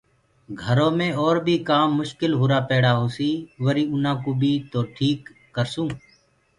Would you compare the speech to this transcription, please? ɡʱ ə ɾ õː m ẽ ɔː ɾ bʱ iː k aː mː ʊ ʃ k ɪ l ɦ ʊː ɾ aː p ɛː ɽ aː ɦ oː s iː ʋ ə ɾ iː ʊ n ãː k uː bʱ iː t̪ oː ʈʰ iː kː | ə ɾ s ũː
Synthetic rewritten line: ɡʱ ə ɾ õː m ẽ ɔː ɾ bʱ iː k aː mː ʊ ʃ k ɪ l ɦ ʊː ɾ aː p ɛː ɽ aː ɦ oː s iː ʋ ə ɾ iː ʊ n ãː k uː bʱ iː t̪ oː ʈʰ iː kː | ə ɾ s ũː

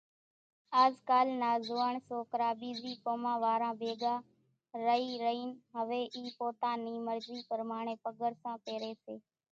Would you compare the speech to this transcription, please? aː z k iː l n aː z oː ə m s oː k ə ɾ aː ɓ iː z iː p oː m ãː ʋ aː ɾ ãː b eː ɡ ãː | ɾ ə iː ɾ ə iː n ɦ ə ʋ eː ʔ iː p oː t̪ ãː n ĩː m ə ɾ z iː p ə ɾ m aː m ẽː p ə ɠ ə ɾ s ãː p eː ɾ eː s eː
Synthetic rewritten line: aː z k aː l n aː z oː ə ɳ s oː k ə ɾ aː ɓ iː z iː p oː m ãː ʋ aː ɾ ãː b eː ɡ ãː | ɾ ə iː ɾ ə iː n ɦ ə ʋ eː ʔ iː p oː t̪ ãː n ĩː m ə ɾ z iː p ə ɾ m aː ɳ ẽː p ə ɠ ə ɾ s ãː p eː ɾ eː s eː

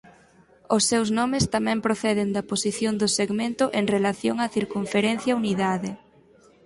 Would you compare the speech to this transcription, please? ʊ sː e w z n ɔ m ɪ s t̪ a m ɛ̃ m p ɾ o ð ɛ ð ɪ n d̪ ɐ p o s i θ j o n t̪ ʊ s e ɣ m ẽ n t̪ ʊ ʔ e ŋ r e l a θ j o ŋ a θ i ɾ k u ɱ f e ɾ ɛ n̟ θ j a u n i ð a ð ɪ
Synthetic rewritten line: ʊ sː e w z n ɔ m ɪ s t̪ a m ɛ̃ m p ɾ o θ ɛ ð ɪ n d̪ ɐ p o s i θ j o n d̪ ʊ s e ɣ m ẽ n t̪ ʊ ʔ e ŋ r e l a θ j o ŋ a θ i ɾ k u ɱ f e ɾ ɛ n̟ θ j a u n i ð a ð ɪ

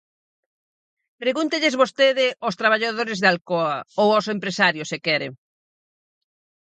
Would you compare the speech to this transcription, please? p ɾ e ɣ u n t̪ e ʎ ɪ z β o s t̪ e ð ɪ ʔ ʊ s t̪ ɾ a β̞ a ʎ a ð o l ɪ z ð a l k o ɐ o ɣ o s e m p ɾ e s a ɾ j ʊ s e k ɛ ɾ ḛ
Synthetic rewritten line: p ɾ e ɣ u n t̪ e ʎ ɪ z β o s t̪ e ð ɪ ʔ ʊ s t̪ ɾ a β̞ a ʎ a ð o ɾ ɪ z ð a l k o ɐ o w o s e m p ɾ e s a ɾ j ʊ s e k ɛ ɾ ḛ

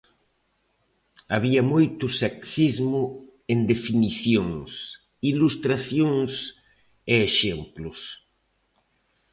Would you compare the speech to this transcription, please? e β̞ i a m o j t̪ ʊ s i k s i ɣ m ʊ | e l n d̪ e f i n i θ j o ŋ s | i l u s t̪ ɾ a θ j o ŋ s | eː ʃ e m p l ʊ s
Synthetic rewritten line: a β̞ i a m o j t̪ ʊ s e k s i z m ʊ | e n d̪ e f i n i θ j o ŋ s | i l u s t̪ ɾ a θ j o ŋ s | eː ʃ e m p l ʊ s

